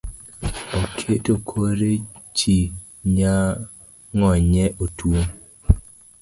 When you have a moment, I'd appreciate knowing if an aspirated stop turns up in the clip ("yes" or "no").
yes